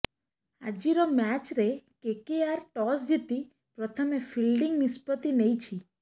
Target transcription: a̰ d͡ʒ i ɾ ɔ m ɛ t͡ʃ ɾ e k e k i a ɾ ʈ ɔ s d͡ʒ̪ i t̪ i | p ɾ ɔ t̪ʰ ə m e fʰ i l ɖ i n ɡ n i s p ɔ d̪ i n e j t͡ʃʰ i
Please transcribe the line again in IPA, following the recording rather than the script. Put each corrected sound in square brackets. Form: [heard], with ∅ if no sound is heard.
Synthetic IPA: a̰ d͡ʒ i ɾ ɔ m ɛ t͡ʃ ɾ e k e k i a ɾ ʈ ɔ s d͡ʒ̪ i t̪ i | p ɾ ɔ t̪ʰ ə m e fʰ i l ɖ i [ŋ] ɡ n i s p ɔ [t̪] i n e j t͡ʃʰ i